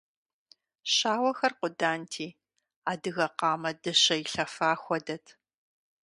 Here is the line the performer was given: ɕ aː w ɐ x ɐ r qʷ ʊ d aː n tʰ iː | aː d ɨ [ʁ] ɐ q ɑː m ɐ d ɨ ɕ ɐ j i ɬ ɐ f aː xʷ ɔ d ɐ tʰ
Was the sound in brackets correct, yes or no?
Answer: no